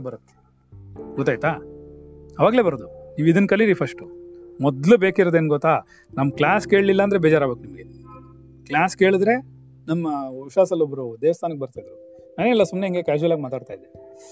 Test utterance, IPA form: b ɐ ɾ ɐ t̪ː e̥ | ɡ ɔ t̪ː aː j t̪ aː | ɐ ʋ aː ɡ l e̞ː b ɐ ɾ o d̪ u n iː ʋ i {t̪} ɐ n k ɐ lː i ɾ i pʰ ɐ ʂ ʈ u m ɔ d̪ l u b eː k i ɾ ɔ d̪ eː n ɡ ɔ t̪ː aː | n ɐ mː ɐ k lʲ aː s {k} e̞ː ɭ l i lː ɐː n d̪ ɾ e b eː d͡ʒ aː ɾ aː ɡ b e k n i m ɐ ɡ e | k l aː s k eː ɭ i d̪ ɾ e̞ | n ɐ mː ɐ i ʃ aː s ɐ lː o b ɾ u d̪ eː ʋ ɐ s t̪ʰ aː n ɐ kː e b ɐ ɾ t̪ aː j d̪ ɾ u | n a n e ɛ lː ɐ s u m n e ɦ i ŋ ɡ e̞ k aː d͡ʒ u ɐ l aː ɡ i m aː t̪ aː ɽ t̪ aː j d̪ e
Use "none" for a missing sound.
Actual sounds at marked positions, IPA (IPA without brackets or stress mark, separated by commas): d̪, k